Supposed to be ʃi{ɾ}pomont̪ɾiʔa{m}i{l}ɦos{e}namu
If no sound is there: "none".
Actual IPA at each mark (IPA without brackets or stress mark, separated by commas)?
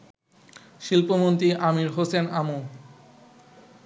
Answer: l, m, ɾ, e